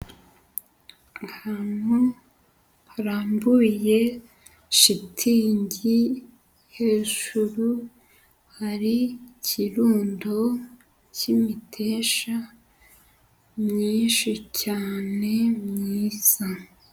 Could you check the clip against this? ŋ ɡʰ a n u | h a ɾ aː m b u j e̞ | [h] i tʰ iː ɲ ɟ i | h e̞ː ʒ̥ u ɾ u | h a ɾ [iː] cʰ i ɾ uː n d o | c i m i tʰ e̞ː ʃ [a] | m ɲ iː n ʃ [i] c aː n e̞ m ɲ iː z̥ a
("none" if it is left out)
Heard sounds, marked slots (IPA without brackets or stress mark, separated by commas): ʃ, i, a, i